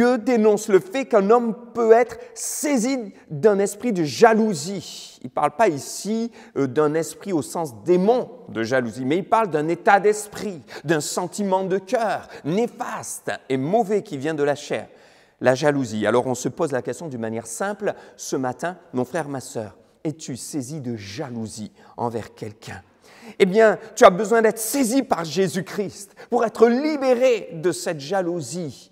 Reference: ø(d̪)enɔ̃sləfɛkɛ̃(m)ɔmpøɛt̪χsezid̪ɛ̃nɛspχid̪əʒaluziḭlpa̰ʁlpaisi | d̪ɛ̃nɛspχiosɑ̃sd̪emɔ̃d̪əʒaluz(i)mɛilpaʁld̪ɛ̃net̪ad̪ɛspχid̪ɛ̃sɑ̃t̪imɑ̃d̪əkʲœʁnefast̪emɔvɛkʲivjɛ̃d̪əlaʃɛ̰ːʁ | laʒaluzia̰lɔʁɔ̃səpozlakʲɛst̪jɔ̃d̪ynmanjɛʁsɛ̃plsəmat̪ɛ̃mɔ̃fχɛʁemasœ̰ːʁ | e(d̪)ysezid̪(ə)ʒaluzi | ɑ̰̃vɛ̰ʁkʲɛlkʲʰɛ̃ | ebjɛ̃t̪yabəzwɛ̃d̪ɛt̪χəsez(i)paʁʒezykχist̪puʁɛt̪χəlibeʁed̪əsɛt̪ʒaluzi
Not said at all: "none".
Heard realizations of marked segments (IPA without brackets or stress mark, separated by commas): d̪, n, i, t̪, ə, i